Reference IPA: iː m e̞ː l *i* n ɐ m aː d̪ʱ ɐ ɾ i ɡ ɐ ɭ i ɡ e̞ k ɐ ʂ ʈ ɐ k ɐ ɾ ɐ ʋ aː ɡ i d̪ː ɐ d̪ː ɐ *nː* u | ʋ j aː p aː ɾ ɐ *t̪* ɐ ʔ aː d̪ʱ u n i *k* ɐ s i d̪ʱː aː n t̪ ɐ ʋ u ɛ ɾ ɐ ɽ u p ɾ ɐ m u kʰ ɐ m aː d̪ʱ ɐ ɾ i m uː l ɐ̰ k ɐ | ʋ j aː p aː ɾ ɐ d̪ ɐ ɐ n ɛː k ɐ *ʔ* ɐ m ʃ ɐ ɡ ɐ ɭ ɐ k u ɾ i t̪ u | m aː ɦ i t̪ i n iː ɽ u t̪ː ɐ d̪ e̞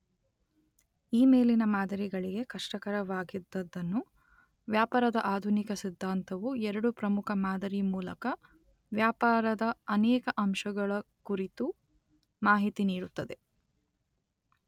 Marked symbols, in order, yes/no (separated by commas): yes, yes, no, yes, yes